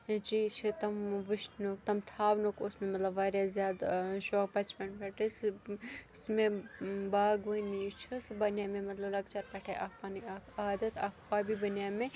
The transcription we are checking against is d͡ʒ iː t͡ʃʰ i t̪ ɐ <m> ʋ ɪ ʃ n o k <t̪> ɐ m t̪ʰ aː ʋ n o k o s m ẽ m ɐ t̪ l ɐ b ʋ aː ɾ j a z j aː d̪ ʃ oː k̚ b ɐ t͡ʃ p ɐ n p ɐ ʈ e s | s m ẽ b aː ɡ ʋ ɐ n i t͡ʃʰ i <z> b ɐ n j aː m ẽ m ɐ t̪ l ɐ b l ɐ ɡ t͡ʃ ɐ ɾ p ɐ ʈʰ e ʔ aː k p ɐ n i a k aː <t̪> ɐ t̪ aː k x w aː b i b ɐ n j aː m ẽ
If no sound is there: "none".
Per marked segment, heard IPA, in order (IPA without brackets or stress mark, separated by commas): m, t̪, s, d̪